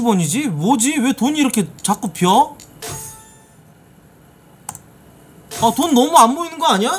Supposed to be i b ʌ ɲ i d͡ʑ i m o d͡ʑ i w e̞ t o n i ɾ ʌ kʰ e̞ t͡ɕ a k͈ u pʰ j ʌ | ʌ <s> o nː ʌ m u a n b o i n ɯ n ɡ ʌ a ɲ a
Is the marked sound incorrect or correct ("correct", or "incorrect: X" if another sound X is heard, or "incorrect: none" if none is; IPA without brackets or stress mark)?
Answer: incorrect: t